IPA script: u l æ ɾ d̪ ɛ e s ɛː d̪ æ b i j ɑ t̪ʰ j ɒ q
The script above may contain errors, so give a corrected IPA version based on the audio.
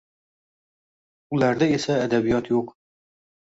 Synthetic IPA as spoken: u l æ ɾ d̪ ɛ e s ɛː d̪ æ b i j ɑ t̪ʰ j o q